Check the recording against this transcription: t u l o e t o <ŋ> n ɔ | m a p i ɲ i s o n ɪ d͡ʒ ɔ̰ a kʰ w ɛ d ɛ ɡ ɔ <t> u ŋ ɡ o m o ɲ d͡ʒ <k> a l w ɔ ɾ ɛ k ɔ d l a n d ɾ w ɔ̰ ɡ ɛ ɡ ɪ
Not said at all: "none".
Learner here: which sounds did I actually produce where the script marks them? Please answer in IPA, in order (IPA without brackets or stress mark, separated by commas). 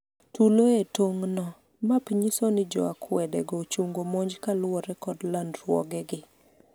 ŋ, t͡ʃ, k